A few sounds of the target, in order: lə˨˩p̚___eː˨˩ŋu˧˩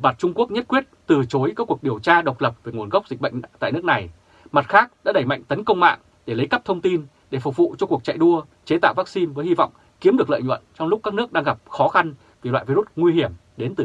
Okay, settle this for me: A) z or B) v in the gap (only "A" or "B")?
B